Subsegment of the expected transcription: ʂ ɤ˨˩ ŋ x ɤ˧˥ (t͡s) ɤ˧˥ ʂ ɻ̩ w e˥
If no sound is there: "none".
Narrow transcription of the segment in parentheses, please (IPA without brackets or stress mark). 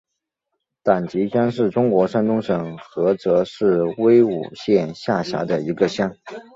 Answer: t͡s